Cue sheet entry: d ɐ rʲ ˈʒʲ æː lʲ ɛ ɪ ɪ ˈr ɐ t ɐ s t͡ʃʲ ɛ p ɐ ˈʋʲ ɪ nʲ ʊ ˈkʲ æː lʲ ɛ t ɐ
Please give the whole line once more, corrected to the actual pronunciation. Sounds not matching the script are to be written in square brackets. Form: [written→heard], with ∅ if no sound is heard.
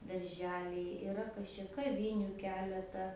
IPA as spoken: d ɐ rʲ ˈʒʲ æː lʲ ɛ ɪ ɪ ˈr ɐ [t→k] ɐ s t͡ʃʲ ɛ [p→k] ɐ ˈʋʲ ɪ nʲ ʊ ˈkʲ æː lʲ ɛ t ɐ

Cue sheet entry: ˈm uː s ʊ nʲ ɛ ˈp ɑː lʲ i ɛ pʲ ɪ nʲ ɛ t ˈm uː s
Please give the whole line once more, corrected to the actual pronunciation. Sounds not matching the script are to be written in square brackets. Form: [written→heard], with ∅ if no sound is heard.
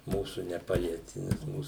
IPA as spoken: ˈm uː s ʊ nʲ ɛ ˈp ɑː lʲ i ɛ [pʲ→tʲ] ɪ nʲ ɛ [t→s] ˈm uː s

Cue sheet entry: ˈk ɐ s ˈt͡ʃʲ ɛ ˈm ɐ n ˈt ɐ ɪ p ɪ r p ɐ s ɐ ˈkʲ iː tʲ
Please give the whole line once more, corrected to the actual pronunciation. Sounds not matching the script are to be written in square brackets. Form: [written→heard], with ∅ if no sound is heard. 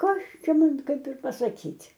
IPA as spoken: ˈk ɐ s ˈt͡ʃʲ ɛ ˈm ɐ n [ˈt→ˈk] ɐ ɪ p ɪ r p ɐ s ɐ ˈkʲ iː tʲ

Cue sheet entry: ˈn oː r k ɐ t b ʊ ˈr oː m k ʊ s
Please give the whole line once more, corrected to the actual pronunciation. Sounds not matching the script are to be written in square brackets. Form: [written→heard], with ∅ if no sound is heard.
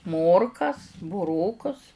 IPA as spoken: [ˈn→ˈm] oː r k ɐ [t→s] b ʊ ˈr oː [m→∅] k ʊ s

